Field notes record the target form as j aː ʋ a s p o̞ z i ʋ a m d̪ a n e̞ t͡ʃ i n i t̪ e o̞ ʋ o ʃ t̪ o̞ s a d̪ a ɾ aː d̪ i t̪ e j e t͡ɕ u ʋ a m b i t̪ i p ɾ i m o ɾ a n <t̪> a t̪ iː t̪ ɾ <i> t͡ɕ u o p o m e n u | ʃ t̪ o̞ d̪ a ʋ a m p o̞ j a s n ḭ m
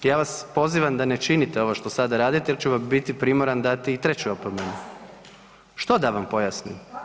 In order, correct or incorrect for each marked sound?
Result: incorrect: d̪, incorrect: e

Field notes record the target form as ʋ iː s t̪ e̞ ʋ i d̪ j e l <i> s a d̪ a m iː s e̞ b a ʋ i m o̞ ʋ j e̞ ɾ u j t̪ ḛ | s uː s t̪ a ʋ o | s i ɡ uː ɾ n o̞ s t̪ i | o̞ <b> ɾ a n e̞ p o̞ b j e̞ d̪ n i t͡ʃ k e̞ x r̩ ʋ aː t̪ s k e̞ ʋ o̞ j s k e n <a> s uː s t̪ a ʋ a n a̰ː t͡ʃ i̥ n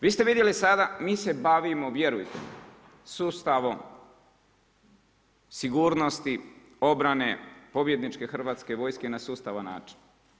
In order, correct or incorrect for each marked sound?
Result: correct, correct, correct

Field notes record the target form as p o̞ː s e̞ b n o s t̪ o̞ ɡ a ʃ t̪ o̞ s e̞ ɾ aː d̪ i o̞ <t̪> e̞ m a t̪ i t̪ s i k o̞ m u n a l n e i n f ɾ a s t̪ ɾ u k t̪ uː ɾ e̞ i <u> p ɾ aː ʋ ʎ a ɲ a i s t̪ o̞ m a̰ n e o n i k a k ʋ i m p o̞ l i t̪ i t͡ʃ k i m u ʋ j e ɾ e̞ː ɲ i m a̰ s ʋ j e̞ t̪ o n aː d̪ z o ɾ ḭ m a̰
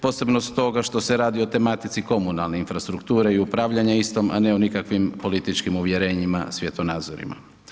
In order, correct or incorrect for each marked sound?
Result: correct, correct

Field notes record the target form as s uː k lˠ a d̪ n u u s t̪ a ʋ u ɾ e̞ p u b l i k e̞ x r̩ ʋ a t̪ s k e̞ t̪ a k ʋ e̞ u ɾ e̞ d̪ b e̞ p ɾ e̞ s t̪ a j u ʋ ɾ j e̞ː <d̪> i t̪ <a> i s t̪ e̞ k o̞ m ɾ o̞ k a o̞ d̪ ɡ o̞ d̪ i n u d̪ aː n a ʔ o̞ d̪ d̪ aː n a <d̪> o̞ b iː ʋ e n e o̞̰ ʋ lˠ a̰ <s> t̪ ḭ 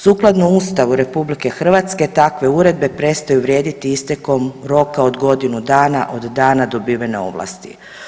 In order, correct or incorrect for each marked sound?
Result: correct, incorrect: i, correct, correct

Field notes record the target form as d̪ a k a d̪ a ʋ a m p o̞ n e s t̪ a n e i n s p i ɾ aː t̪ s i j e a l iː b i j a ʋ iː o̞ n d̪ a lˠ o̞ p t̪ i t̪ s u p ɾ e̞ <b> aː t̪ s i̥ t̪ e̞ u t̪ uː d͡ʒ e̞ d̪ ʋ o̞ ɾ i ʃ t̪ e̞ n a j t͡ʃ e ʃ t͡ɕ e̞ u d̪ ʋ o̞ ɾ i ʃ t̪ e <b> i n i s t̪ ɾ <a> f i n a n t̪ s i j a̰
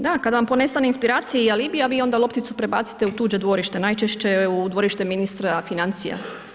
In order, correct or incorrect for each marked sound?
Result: correct, incorrect: m, correct

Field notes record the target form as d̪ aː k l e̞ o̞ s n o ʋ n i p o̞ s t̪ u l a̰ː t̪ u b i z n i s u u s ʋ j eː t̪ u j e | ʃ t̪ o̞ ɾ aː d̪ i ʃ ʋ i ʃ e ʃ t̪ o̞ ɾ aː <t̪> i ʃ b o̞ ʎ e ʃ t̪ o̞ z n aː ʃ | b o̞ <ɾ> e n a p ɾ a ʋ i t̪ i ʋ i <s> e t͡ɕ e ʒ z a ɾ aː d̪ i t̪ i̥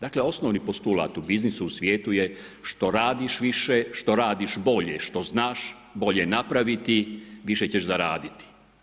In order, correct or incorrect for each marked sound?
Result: incorrect: d̪, incorrect: ʎ, incorrect: ʃ

